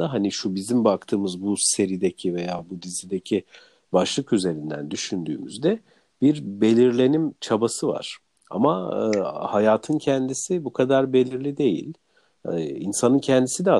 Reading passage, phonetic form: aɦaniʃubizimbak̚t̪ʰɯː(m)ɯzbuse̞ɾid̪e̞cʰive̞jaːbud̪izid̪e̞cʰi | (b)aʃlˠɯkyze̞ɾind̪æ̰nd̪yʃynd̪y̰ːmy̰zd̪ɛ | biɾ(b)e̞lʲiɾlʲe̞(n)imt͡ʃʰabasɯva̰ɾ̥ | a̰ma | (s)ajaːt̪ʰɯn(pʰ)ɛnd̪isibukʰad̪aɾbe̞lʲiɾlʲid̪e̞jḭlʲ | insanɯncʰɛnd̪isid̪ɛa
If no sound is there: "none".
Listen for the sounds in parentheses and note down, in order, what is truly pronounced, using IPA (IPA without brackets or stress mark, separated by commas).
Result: m, b, b, n, h, cʰ